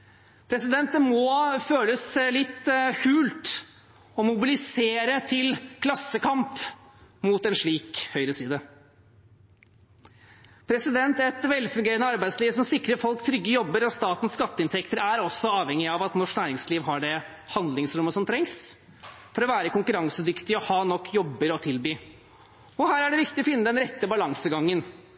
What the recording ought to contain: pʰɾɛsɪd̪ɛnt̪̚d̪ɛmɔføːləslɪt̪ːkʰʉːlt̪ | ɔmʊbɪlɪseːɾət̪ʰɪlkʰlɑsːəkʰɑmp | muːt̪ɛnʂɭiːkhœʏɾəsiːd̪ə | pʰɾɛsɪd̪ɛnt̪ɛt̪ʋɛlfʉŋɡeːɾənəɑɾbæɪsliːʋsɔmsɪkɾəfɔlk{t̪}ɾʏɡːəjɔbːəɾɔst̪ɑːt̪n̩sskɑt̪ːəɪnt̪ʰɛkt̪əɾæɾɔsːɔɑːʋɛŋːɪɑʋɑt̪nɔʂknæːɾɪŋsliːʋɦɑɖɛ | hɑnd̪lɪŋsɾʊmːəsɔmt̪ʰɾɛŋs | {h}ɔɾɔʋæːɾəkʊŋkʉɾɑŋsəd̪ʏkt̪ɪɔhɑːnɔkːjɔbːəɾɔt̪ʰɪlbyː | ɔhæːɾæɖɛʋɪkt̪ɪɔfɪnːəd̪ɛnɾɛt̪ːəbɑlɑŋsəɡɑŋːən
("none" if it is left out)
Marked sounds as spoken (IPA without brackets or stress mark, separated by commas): t̪ʰ, f